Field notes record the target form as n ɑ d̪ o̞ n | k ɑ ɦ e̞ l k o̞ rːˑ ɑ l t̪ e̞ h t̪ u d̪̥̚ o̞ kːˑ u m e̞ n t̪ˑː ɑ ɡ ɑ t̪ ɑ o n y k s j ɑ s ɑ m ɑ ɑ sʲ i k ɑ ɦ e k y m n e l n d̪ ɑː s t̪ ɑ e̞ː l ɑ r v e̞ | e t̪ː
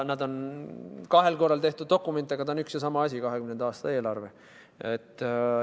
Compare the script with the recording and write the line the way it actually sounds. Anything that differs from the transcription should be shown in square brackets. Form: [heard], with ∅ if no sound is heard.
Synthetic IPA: n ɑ d̪ o̞ n | k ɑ ɦ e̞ l k o̞ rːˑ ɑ l t̪ e̞ h t̪ u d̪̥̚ o̞ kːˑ u m e̞ n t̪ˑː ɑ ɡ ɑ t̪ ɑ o n y k s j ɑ s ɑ m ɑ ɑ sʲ i k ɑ ɦ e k y m n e [∅] n d̪ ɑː s t̪ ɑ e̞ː l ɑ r v e̞ | e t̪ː